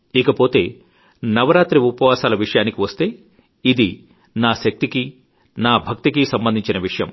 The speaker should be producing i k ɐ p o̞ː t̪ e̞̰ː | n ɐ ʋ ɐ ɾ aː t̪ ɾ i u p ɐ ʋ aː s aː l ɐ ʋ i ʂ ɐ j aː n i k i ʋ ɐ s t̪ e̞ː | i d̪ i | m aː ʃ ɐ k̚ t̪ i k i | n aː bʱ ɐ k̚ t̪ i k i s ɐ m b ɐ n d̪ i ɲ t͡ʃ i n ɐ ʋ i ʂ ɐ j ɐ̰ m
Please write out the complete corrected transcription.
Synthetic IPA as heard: i k ɐ p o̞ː t̪ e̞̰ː | n ɐ ʋ ɐ ɾ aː t̪ ɾ i u p ɐ ʋ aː s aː l ɐ ʋ i ʂ ɐ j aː n i k i ʋ ɐ s t̪ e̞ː | i d̪ i | n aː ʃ ɐ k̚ t̪ i k i | n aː bʱ ɐ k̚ t̪ i k i s ɐ m b ɐ n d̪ i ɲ t͡ʃ i n ɐ ʋ i ʂ ɐ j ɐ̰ m

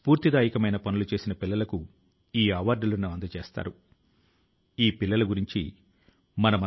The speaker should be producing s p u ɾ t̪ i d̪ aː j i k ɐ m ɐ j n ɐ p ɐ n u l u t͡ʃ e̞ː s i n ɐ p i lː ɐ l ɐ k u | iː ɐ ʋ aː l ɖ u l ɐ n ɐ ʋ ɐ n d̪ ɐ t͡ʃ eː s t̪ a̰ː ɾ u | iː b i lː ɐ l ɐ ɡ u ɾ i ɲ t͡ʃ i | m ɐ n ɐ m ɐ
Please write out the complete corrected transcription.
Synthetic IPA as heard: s p uː ɾ t̪ i d̪ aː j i k ɐ m ɐ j n ɐ p ɐ n u l u t͡ʃ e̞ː s i n ɐ p i lː ɐ l ɐ k u | iː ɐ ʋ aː ɾ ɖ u l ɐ n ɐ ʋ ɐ n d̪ ɐ t͡ʃ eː s t̪ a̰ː ɾ u | iː p i lː ɐ l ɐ ɡ u ɾ i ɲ t͡ʃ i | m ɐ n ɐ m ɐ

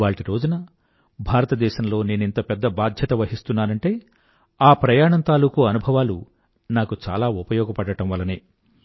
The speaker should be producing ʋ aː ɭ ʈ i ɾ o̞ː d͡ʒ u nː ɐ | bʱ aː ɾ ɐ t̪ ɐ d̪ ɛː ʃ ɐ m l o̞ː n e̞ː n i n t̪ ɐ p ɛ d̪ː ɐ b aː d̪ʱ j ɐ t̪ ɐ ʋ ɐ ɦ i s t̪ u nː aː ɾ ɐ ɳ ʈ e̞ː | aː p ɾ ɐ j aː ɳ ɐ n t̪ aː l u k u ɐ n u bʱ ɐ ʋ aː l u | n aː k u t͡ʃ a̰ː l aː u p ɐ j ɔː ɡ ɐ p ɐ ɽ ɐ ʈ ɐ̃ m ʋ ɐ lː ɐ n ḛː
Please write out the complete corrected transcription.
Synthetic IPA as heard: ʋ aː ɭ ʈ i ɾ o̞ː d͡ʒ u n ɐ | bʱ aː ɾ ɐ t̪ ɐ d̪ ɛː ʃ ɐ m l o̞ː n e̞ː n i n t̪ ɐ p ɛ d̪ː ɐ b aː d̪ʱ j ɐ t̪ ɐ ʋ ɐ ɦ i s t̪ u nː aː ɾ ɐ ɳ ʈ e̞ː | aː p ɾ ɐ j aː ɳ ɐ n t̪ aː l u k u ɐ n u bʱ ɐ ʋ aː l u | n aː k u t͡ʃ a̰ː l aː u p ɐ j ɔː ɡ ɐ p ɐ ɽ ɐ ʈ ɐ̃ m ʋ ɐ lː ɐ n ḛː

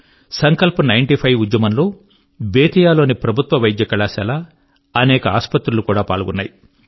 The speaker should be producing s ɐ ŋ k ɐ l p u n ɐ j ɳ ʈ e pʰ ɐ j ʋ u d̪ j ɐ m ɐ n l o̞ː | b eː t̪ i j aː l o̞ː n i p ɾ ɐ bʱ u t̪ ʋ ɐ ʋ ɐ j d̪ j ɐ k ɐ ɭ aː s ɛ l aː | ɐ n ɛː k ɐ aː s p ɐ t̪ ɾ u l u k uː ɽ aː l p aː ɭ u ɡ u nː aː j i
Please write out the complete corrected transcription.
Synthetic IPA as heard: s ɐ ŋ k ɐ l p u n ɐ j ɳ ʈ i pʰ ɐ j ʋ u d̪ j ɐ m ɐ n l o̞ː | b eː t̪ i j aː l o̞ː n i p ɾ ɐ bʱ u t̪ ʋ ɐ ʋ ɐ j d̪ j ɐ k ɐ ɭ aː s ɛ l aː | ɐ n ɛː k ɐ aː s p ɐ t̪ ɾ u l u k uː ɽ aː p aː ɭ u ɡ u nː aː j i

